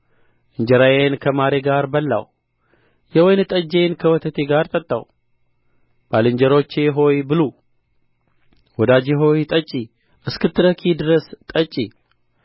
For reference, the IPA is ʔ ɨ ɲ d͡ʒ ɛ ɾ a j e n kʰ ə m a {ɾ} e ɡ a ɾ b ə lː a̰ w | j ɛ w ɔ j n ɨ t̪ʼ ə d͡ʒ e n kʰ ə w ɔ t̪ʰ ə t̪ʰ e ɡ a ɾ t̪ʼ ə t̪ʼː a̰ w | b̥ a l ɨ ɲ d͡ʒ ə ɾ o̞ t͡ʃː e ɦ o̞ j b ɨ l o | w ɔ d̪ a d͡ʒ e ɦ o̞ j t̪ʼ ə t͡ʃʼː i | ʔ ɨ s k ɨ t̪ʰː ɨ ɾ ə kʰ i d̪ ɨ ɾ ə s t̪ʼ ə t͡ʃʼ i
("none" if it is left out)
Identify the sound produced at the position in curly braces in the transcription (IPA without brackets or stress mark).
ɾ